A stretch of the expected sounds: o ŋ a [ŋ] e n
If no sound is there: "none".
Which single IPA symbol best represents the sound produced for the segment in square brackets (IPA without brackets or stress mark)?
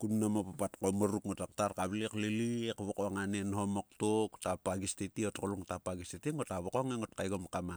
n